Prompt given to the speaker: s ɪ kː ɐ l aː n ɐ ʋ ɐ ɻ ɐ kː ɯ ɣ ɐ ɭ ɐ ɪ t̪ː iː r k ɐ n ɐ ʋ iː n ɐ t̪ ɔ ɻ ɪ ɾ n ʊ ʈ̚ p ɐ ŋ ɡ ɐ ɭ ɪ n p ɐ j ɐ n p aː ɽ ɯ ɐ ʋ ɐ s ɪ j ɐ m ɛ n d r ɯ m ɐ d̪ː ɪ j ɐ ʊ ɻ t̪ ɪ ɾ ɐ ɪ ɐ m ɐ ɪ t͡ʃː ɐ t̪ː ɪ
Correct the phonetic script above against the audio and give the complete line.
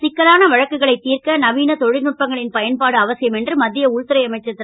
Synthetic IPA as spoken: s ɪ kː ɐ l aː n ɐ ʋ ɐ ɻ ɐ kː ɯ ɣ ɐ ɭ ɐ ɪ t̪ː iː r k ɐ n ɐ ʋ iː n ɐ t̪ ɔ ɻ ɪ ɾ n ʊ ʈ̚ p ɐ ŋ ɡ ɐ ɭ ɪ n p ɐ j ɐ n p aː ɽ ɯ ɐ ʋ ɐ s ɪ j ɐ m ɛ n d r ɯ m ɐ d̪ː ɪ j ɐ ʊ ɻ t̪ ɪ ɾ ɐ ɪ ɐ m ɐ ɪ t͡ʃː ɐ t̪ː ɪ